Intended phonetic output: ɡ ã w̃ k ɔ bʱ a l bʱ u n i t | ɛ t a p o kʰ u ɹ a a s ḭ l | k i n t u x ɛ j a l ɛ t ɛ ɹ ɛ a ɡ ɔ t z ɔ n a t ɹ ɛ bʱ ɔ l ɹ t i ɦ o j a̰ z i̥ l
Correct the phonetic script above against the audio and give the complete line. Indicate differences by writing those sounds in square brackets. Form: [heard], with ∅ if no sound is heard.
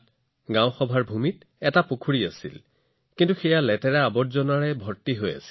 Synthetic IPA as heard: ɡ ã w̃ [x] ɔ bʱ a [ɹ] bʱ u [m] i t | ɛ t a p o kʰ u ɹ [i] a s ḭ l | k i n t u x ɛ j a l ɛ t ɛ ɹ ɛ a [b] ɔ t z ɔ n a [∅] ɹ ɛ bʱ ɔ [∅] ɹ t i ɦ o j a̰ [s] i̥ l